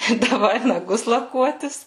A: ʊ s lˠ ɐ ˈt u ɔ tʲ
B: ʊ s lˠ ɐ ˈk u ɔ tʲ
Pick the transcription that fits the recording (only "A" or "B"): B